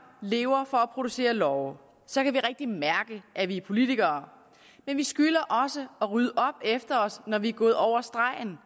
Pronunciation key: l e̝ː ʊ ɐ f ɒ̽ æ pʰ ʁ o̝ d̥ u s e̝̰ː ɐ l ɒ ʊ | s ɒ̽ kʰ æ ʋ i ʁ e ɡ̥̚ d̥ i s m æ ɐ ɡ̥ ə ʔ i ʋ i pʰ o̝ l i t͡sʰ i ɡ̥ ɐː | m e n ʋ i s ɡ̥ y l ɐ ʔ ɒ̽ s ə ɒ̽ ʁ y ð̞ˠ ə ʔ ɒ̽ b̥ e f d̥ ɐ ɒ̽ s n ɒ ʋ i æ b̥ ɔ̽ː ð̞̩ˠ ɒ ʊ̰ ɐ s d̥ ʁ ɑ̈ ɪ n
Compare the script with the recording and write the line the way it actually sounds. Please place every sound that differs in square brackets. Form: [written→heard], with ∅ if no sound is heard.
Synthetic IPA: l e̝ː ʊ ɐ f ɒ̽ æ pʰ ʁ o̝ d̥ u s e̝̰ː ɐ l ɒ ʊ | s ɒ̽ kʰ æ ʋ i ʁ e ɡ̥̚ d̥ i [s→∅] m æ ɐ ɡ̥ ə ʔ [i→æ] ʋ i pʰ o̝ l i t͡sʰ i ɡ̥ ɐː | m e n ʋ i s ɡ̥ y l ɐ ʔ ɒ̽ s ə ɒ̽ ʁ y ð̞ˠ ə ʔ ɒ̽ b̥ e f d̥ ɐ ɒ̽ s n ɒ ʋ i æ [b̥→ɡ̥] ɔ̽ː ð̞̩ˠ ɒ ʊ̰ ɐ s d̥ ʁ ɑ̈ ɪ n

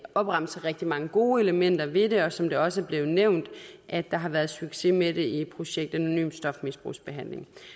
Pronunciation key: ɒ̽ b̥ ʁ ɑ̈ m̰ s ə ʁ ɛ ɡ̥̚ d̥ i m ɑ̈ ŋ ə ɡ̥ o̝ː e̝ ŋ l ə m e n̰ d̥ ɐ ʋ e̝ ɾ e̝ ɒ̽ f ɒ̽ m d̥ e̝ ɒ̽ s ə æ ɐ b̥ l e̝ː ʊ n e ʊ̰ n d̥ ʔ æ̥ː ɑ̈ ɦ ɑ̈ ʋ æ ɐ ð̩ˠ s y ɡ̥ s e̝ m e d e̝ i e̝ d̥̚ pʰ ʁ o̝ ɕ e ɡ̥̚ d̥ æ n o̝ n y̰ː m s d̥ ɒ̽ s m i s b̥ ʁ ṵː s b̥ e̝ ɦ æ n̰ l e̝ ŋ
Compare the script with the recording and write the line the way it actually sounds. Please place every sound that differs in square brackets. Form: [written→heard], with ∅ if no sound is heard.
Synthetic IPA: ɒ̽ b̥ ʁ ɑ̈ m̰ s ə ʁ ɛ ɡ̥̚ d̥ i m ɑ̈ ŋ ə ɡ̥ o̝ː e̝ [ŋ→∅] l ə m e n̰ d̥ ɐ ʋ e̝ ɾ e̝ ɒ̽ [f→s] ɒ̽ m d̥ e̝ ɒ̽ s ə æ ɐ b̥ l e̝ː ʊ n e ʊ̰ n d̥ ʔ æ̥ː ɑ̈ ɦ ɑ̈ ʋ æ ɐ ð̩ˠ s y ɡ̥ s e̝ m e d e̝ i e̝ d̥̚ pʰ ʁ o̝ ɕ e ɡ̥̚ d̥ æ n o̝ n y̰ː m s d̥ ɒ̽ [s→f] m i s b̥ ʁ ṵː s b̥ e̝ ɦ æ n̰ l e̝ ŋ

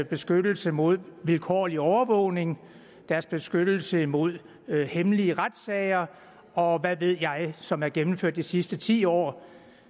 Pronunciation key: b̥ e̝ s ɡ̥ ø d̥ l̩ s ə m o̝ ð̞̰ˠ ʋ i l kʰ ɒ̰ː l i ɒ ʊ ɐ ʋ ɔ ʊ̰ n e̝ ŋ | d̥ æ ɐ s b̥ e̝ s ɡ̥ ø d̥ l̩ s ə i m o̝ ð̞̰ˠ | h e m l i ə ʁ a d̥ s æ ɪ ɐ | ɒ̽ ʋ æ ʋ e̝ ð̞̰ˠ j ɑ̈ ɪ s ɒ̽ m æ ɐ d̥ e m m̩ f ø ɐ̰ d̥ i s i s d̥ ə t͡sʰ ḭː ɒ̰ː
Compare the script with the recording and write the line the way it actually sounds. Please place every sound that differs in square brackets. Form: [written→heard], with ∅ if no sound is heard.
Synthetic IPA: b̥ e̝ s ɡ̥ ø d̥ l̩ s ə m o̝ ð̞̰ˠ ʋ i l kʰ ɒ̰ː l i ɒ ʊ ɐ ʋ ɔ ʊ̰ n e̝ ŋ | d̥ æ ɐ s b̥ e̝ s ɡ̥ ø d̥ l̩ s ə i m o̝ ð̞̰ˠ | h e m l i ə ʁ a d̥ s [æ→ɛ] ɪ ɐ | ɒ̽ ʋ æ ʋ e̝ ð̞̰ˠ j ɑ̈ ɪ s ɒ̽ m æ ɐ [d̥→ɡ̥] e m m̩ f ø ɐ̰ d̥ i s i s d̥ ə t͡sʰ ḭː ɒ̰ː

